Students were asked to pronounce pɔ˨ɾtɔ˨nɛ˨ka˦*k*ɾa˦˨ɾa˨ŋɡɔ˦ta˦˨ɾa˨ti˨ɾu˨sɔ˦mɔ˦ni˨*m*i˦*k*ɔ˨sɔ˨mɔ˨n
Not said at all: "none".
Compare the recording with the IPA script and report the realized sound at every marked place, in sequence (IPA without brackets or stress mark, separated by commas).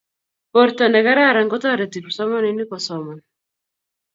none, n, k